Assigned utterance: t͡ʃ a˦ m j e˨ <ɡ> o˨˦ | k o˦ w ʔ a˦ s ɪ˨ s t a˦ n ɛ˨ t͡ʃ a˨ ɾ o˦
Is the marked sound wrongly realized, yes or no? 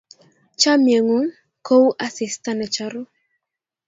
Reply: yes